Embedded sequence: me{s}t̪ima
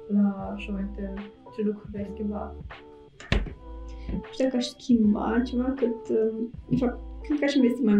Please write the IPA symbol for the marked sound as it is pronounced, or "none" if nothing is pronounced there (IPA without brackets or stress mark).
s